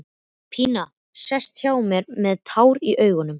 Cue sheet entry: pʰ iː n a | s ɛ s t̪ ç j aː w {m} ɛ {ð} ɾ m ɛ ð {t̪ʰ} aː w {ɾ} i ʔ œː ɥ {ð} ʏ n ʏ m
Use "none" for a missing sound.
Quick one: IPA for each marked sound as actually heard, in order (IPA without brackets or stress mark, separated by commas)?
m, none, t̪ʰ, ɾ, ɣ